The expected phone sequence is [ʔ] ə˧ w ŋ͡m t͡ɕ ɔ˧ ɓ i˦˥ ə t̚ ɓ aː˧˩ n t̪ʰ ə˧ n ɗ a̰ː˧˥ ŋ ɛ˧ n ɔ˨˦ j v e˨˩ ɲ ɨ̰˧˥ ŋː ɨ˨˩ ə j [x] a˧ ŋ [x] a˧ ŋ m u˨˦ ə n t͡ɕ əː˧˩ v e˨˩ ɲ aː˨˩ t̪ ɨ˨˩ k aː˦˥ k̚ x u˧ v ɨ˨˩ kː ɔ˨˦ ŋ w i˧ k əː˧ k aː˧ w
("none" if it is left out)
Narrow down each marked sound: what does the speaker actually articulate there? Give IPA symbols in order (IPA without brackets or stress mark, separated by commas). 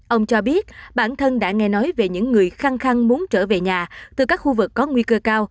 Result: ʔ, x, x